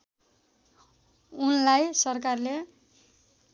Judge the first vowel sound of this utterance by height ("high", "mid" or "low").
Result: high